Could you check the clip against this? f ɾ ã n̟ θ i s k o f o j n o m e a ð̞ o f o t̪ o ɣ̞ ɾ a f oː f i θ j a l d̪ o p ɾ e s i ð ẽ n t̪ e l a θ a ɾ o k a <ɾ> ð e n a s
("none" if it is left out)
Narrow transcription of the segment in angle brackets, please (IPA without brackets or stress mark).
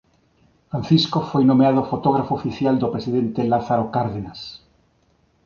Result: ɾ